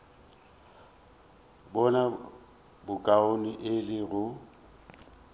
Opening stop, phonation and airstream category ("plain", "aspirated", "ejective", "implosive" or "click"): plain